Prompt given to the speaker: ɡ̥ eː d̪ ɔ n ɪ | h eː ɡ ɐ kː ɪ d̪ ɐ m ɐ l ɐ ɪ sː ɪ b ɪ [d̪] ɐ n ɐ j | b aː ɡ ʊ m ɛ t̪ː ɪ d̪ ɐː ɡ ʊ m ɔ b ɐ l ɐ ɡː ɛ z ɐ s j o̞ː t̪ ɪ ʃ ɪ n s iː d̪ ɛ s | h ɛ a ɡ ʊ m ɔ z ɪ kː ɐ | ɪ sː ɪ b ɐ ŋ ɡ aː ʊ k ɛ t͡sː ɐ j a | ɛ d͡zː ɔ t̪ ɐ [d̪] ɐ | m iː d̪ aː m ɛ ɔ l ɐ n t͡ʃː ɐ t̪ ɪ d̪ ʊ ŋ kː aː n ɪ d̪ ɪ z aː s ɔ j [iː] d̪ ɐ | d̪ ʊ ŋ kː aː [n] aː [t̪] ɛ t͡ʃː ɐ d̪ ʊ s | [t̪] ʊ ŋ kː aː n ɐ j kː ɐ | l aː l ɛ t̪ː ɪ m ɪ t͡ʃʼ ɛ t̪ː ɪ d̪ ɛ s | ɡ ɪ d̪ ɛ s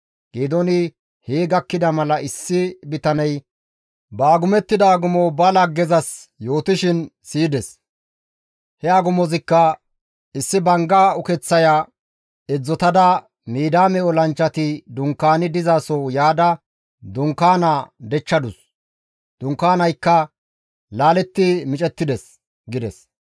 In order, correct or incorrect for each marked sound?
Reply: incorrect, correct, incorrect, correct, incorrect, incorrect

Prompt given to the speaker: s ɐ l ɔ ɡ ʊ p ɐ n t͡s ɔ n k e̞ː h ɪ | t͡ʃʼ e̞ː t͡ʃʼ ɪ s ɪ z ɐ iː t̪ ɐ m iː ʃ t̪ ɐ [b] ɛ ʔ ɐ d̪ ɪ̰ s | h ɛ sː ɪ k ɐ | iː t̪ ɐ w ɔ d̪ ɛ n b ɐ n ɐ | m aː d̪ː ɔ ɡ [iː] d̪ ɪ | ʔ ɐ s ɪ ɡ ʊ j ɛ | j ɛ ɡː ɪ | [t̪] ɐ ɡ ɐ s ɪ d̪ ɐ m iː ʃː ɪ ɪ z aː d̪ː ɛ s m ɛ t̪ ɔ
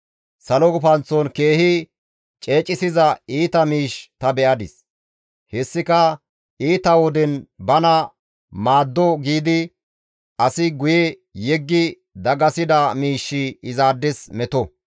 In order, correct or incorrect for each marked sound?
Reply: correct, correct, incorrect

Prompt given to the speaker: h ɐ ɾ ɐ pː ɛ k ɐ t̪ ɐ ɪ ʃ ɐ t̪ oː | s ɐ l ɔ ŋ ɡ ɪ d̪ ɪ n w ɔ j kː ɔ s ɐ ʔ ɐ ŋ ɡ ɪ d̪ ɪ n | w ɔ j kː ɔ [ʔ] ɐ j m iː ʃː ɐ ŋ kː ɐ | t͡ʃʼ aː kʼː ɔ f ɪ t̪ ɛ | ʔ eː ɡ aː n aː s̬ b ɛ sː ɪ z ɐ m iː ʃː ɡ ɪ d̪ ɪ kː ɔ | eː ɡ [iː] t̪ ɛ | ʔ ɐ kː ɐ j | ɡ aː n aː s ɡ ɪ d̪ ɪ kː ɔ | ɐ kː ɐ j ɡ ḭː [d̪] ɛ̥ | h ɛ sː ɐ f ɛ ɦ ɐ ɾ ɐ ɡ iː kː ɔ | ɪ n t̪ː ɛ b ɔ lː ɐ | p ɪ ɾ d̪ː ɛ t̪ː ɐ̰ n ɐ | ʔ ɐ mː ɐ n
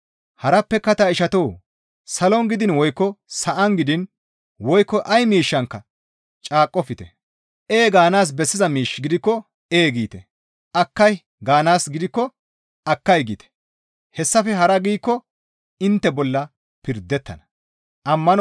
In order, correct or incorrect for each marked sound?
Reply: correct, correct, incorrect

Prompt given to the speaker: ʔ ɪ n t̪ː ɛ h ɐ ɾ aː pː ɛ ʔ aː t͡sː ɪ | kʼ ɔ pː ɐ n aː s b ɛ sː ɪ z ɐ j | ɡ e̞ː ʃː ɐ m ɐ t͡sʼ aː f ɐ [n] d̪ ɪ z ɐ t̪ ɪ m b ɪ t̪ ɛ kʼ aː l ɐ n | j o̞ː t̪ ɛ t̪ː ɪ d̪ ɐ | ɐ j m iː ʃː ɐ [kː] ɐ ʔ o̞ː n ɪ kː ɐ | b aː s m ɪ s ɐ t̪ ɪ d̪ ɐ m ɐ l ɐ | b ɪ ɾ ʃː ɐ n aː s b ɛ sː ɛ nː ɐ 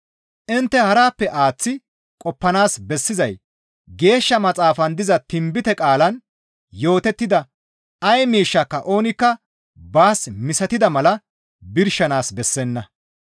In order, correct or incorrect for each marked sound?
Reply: correct, correct

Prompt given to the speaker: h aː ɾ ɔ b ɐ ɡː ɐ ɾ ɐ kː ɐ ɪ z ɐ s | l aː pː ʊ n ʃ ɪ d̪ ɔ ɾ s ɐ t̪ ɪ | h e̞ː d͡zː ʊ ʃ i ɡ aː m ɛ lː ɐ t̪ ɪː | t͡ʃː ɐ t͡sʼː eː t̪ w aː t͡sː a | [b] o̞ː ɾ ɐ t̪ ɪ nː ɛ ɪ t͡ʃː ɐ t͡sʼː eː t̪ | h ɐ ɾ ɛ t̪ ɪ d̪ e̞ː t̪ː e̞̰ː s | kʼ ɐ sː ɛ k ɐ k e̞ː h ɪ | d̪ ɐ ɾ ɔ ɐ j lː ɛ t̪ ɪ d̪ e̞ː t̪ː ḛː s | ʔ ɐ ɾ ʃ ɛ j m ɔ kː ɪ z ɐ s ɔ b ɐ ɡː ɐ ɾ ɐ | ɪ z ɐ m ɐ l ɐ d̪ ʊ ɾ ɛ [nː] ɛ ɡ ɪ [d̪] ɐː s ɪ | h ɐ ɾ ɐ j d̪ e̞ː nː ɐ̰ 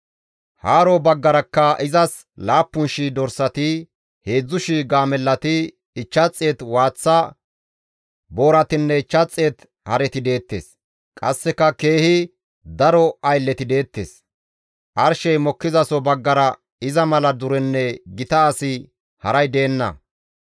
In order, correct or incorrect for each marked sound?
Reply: correct, correct, incorrect

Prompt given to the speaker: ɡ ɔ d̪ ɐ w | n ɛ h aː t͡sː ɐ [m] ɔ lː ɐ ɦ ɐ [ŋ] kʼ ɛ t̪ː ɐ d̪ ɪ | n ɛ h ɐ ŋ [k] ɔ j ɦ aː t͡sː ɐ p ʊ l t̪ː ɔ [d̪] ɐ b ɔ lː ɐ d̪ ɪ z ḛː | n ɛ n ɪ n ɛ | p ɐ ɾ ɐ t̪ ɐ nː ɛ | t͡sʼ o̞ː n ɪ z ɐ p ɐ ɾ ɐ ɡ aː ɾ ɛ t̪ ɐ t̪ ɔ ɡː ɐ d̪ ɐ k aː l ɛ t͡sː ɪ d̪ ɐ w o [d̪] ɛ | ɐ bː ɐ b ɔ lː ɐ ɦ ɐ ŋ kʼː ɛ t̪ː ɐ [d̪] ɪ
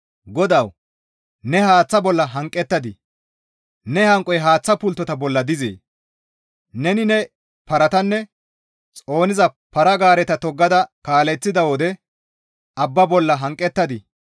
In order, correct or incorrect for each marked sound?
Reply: incorrect, correct, incorrect, incorrect, correct, correct

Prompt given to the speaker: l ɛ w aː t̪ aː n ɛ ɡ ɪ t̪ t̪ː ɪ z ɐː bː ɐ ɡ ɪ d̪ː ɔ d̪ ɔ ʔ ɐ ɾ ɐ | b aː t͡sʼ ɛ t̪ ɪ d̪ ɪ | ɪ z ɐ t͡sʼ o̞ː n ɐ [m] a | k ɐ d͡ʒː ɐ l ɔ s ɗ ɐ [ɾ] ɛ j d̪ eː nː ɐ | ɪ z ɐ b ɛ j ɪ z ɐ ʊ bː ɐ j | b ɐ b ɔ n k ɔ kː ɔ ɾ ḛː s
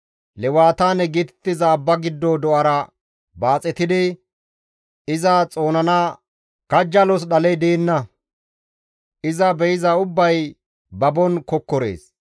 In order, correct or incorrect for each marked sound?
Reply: incorrect, incorrect

